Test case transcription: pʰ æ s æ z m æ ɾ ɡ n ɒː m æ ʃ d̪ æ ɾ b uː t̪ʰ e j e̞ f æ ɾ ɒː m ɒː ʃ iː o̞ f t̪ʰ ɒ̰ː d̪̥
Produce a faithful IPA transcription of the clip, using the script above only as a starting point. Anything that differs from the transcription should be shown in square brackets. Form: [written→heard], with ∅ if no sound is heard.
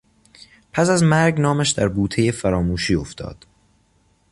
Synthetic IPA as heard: pʰ æ s æ z m æ ɾ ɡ n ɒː m æ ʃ d̪ æ ɾ b uː t̪ʰ e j e̞ f æ ɾ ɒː m [ɒː→uː] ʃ iː o̞ f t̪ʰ ɒ̰ː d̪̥